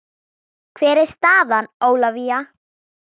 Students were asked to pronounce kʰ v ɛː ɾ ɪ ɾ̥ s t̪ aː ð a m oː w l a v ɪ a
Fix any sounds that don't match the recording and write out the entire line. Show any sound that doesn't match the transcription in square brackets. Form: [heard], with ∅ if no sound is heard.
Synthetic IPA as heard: kʰ v ɛː ɾ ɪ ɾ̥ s t̪ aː ð a [n] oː w l a v [i] a